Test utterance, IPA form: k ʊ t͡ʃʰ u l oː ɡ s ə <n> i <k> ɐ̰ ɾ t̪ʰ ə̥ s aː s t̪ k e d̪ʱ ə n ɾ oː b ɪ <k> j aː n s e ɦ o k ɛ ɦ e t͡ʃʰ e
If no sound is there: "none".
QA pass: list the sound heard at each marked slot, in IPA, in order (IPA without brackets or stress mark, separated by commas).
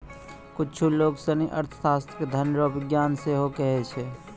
n, ʔ, ɡ